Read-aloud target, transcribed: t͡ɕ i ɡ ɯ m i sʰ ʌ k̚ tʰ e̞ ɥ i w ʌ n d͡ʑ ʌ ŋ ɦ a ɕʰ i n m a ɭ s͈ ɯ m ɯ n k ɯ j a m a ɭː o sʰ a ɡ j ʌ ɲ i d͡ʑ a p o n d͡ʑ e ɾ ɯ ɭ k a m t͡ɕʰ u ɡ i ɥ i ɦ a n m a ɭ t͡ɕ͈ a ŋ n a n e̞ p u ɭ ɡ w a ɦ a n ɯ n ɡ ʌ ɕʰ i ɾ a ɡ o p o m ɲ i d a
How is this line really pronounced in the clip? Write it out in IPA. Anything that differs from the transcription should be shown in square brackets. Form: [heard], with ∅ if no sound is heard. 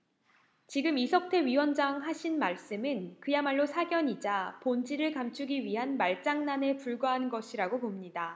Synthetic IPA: t͡ɕ i ɡ ɯ m i sʰ ʌ k̚ tʰ e̞ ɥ i w ʌ n d͡ʑ [a] ŋ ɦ a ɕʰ i n m a ɭ s͈ ɯ m ɯ n k ɯ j a m a ɭː o sʰ a ɡ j ʌ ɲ i d͡ʑ a p o n d͡ʑ [i] ɾ ɯ ɭ k a m t͡ɕʰ u ɡ i ɥ i ɦ a n m a ɭ t͡ɕ͈ a ŋ n a n e̞ p u ɭ ɡ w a ɦ a n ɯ n ɡ ʌ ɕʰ i ɾ a ɡ o p o m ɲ i d a